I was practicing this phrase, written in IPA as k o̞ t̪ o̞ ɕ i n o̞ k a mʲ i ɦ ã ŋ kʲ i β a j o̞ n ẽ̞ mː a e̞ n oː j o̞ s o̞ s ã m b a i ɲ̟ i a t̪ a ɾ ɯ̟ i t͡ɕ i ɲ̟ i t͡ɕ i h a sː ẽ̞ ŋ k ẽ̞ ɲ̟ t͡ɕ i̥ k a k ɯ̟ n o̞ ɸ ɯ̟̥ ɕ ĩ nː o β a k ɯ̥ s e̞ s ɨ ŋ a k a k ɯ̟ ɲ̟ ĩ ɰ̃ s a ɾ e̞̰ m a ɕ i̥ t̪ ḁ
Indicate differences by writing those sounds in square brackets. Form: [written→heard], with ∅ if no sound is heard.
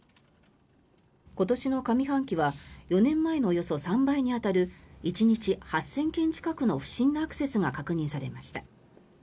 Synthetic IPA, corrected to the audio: k o̞ t̪ o̞ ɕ i n o̞ k a mʲ i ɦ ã ŋ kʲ i β a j o̞ n ẽ̞ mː a e̞ n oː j o̞ s o̞ s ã m b a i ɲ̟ i a t̪ a ɾ ɯ̟ i t͡ɕ i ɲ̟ i t͡ɕ i h a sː ẽ̞ ŋ k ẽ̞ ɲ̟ t͡ɕ i̥ k a k ɯ̟ n o̞ ɸ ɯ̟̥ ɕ ĩ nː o [β→∅] a k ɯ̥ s e̞ s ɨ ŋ a k a k ɯ̟ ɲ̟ ĩ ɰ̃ s a ɾ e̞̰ m a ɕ i̥ t̪ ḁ